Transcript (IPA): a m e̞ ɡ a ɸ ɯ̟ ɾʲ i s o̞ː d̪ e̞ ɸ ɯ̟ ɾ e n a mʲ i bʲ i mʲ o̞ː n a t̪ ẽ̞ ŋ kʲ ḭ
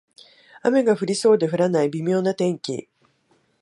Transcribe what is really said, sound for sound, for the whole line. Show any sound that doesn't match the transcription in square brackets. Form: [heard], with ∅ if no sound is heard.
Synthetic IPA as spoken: a m e̞ ɡ a ɸ ɯ̟ ɾʲ i s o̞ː d̪ e̞ ɸ ɯ̟ ɾ [a] n a [∅] i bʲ i mʲ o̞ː n a t̪ ẽ̞ ŋ kʲ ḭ